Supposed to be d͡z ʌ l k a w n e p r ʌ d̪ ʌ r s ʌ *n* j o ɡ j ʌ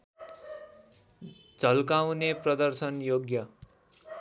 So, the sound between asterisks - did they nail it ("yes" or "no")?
yes